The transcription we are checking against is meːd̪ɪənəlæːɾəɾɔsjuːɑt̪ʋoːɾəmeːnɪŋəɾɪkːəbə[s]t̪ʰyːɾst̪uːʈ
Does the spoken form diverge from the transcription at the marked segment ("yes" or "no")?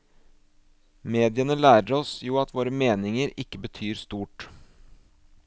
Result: yes